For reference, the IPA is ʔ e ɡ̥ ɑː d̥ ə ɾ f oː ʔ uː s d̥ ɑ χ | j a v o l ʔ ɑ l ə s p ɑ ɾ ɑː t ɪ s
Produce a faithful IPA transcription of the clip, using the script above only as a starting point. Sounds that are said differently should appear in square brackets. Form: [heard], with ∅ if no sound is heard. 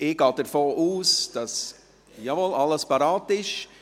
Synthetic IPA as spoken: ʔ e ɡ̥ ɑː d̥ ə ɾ f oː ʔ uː s d̥ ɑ [s] | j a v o l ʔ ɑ l ə s p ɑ ɾ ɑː t ɪ [ʃ]